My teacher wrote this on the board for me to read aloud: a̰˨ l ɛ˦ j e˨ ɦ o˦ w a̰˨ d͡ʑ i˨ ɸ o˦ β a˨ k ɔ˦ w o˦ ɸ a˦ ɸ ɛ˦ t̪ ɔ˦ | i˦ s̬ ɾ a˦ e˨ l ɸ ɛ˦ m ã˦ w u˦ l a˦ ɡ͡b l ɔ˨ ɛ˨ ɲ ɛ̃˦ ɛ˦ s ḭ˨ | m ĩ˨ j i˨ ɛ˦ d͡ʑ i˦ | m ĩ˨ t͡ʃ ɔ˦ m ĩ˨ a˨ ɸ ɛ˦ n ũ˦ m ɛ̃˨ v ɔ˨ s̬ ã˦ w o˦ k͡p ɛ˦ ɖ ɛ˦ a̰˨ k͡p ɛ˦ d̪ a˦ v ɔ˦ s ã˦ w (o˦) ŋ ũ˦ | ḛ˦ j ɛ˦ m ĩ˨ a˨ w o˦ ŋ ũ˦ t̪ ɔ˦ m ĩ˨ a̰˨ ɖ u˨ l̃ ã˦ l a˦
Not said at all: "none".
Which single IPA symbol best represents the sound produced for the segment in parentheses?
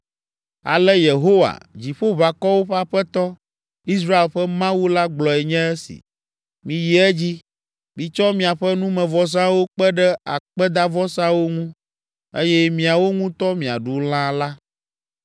o˦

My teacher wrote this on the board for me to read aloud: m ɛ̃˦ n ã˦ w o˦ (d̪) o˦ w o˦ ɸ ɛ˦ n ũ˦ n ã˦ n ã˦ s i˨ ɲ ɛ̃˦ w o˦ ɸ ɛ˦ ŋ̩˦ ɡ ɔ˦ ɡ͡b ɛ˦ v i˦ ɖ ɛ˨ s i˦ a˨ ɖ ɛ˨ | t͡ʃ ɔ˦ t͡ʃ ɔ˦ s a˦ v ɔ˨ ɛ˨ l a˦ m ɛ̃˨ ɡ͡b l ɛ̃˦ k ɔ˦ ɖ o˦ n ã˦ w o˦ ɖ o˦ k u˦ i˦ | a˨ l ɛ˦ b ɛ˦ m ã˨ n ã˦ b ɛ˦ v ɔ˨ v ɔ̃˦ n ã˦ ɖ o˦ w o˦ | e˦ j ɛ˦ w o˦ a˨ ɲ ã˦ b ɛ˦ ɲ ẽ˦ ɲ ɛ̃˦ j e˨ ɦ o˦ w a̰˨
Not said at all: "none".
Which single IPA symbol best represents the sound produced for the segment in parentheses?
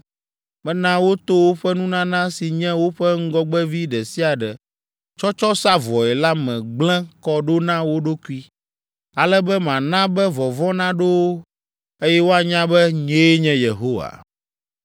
t̪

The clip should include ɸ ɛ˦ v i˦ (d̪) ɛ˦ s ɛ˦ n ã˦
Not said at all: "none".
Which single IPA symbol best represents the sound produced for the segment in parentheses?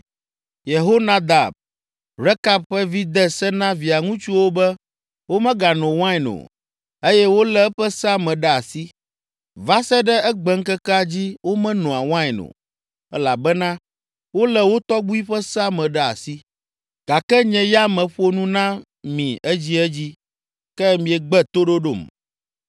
d̪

